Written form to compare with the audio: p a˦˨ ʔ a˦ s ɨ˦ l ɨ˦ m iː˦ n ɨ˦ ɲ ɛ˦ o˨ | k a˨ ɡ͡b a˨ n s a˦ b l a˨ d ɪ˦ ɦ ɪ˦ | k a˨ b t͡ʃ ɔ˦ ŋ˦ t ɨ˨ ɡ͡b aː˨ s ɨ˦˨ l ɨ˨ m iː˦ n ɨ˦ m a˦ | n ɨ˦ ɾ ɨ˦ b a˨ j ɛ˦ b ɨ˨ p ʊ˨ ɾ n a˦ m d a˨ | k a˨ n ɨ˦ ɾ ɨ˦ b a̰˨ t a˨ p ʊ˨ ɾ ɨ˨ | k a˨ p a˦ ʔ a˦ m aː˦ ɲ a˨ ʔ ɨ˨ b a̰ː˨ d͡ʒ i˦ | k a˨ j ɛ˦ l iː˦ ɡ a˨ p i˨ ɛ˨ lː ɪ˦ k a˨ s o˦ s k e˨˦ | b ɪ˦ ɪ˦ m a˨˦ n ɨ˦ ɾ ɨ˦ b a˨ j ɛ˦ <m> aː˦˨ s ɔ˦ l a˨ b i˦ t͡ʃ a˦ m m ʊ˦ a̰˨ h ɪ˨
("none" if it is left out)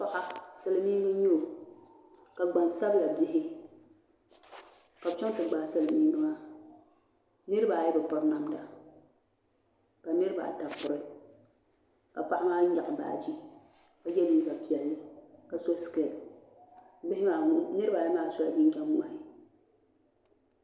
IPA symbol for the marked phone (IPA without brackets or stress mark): m